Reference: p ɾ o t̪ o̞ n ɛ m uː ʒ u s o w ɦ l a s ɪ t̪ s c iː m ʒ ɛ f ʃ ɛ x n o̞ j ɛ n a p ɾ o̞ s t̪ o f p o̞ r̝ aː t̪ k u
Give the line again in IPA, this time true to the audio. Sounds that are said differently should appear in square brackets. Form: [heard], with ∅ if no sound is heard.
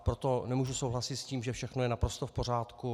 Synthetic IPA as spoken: p ɾ o t̪ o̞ n ɛ m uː ʒ u s o w ɦ l a s ɪ t̪ s c iː m ʒ ɛ f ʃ ɛ x n o̞ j ɛ n a p ɾ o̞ s t̪ o f p o̞ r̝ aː t̪ k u